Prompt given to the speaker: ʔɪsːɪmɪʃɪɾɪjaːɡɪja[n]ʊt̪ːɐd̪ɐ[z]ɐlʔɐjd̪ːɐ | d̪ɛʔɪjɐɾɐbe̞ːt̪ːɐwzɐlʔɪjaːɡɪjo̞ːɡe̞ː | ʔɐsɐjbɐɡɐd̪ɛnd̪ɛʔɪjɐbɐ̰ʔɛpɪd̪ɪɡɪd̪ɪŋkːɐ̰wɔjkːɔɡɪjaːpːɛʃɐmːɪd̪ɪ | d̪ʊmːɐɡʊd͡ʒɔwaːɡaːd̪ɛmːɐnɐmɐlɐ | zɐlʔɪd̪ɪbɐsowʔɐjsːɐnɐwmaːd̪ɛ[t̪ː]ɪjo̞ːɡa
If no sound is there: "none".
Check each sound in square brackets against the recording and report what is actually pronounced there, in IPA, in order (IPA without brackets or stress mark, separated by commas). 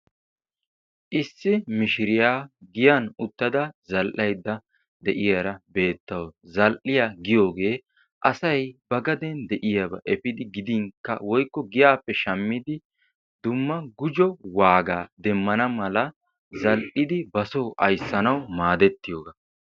n, z, t̪ː